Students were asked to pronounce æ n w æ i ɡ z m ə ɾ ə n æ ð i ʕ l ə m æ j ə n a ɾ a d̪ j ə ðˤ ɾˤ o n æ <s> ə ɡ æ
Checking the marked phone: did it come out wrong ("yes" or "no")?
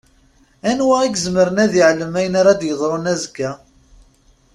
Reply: yes